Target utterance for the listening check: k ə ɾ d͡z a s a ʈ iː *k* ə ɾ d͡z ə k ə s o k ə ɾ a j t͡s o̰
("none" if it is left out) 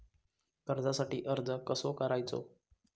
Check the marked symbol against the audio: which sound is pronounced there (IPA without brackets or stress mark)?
ʔ